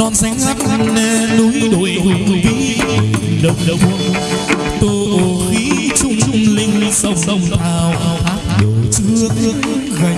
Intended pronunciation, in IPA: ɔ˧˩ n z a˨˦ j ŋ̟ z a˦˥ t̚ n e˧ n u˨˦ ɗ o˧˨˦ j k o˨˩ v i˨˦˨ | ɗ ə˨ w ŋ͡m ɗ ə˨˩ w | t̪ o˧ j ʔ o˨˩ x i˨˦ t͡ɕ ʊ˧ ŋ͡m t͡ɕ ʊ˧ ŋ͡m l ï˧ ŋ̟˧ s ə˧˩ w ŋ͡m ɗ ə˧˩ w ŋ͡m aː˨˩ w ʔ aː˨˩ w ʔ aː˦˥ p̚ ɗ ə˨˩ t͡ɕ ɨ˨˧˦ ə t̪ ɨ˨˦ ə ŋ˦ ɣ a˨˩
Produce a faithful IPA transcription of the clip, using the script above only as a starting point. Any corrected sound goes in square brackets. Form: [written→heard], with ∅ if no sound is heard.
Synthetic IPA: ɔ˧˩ n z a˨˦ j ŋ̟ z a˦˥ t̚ n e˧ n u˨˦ ɗ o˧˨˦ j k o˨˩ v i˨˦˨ | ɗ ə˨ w ŋ͡m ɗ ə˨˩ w | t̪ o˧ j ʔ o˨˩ x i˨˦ t͡ɕ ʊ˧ ŋ͡m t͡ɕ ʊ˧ ŋ͡m l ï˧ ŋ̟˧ s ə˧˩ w ŋ͡m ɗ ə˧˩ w ŋ͡m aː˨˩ w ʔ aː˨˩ w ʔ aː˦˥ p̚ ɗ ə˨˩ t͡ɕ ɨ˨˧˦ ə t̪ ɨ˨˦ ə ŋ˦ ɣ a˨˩

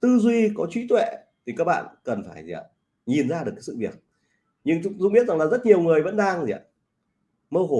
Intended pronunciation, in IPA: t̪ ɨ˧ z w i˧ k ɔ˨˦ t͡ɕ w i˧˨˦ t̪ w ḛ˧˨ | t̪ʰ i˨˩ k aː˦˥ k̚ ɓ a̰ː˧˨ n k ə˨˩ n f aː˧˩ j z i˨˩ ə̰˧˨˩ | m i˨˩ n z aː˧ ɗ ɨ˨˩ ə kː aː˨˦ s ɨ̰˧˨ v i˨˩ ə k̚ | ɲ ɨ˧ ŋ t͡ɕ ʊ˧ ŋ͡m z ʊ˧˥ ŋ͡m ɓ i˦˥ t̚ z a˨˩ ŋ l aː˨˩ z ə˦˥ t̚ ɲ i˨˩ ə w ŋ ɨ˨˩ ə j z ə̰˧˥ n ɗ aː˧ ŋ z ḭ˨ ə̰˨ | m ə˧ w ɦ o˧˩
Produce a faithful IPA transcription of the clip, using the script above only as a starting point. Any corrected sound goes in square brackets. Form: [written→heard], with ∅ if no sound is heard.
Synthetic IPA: t̪ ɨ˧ z w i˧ k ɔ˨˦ t͡ɕ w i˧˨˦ t̪ w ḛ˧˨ | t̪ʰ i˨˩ k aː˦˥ k̚ ɓ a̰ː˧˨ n k ə˨˩ n f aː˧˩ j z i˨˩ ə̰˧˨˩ | [m→ɲ] i˨˩ n z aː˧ ɗ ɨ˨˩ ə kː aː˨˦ s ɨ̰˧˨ v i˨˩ ə k̚ | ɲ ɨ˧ ŋ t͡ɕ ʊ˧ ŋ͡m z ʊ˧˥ ŋ͡m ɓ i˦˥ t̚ z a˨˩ ŋ l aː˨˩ z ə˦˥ t̚ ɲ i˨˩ ə w ŋ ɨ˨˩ ə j [z→v] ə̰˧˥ n ɗ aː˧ ŋ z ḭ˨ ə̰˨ | m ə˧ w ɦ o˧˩

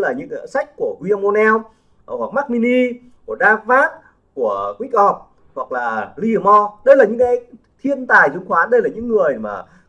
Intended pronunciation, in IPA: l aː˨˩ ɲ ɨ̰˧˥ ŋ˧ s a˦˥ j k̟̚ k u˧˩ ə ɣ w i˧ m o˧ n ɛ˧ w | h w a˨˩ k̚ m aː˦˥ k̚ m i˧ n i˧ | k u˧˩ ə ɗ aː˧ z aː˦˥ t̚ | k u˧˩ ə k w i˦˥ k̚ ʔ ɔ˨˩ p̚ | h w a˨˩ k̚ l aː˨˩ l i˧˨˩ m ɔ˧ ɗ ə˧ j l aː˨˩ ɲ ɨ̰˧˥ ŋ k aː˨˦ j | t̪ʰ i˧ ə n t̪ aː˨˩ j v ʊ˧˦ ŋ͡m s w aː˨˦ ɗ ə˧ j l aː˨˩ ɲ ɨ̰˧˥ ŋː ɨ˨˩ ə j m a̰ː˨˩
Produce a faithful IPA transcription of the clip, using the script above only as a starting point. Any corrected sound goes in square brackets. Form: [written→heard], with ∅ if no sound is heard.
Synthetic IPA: l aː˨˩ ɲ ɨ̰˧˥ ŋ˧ s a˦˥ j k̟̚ k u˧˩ ə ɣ w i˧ m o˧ n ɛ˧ w | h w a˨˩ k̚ m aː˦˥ k̚ m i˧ n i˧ | k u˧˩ ə ɗ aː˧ [z→v] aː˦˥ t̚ | k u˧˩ ə k w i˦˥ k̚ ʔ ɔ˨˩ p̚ | h w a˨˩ k̚ l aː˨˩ l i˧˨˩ m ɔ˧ ɗ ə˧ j l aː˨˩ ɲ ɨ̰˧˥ ŋ k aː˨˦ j | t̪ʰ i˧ ə n t̪ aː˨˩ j [v→z] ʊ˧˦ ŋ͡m [s→x] w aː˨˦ ɗ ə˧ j l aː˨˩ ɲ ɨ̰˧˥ ŋː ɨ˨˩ ə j m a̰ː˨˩

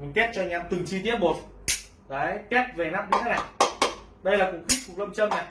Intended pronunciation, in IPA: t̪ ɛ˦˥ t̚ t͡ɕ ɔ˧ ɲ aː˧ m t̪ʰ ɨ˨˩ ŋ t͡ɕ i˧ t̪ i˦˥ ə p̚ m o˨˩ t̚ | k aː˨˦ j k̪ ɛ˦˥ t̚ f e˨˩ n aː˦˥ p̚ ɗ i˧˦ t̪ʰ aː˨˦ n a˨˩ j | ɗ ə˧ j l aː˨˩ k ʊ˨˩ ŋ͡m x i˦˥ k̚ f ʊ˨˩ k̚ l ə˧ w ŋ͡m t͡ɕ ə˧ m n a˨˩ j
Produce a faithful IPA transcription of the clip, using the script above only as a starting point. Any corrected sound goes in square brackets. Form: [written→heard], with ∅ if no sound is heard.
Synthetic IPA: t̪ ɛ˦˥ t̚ t͡ɕ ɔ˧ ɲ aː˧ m [t̪ʰ→t̪] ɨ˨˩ ŋ t͡ɕ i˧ t̪ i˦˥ ə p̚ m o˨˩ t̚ | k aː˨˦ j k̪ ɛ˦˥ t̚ [f→v] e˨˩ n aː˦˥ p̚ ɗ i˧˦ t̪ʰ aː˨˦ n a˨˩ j | ɗ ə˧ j l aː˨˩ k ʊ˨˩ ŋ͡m x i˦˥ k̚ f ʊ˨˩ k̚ l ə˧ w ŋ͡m t͡ɕ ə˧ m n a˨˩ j

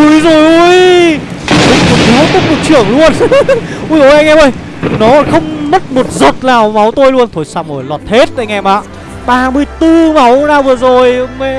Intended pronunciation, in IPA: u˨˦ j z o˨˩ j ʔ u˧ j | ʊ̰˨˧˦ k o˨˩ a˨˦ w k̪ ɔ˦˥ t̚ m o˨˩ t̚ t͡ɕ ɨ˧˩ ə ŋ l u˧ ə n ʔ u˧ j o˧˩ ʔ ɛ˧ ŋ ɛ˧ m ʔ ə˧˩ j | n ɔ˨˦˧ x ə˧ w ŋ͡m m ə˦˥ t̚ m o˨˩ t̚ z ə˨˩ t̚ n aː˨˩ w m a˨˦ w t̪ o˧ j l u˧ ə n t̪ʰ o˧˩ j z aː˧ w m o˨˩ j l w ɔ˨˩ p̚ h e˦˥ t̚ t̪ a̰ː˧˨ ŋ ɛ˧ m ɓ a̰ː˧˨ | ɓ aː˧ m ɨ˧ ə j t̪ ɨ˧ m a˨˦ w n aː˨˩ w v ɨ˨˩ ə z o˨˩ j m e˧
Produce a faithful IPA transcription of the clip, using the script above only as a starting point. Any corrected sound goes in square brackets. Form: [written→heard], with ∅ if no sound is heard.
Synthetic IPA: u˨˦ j z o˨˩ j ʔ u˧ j | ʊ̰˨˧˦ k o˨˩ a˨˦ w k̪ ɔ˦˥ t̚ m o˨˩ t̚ t͡ɕ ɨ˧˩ ə ŋ l u˧ ə n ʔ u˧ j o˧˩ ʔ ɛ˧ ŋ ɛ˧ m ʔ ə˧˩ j | n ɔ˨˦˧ x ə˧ w ŋ͡m m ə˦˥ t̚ m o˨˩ t̚ z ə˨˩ t̚ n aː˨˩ w m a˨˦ w t̪ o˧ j l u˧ ə n t̪ʰ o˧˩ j [z→s] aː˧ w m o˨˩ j l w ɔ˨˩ [p̚→t̚] h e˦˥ t̚ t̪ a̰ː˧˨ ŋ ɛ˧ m ɓ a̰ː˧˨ | ɓ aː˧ m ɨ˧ ə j t̪ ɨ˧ m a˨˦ w n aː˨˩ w v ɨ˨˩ ə z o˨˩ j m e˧

